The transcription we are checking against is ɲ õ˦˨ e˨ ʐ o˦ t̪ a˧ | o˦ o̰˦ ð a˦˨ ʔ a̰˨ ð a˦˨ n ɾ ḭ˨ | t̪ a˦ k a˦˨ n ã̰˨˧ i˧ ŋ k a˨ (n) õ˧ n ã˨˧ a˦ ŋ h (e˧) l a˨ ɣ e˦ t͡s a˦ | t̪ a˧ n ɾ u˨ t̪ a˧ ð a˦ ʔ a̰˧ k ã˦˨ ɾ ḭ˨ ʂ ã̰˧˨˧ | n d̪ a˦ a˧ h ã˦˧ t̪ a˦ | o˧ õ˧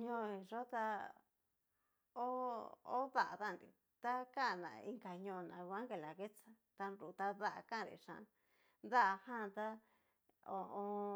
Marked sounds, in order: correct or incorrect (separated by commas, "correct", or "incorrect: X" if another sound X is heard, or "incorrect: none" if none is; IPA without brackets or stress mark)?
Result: incorrect: ɲ, correct